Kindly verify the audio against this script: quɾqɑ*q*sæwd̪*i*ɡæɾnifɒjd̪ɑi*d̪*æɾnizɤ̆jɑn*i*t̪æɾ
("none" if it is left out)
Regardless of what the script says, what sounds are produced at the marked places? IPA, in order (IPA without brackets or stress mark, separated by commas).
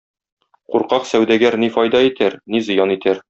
q, æ, t̪, i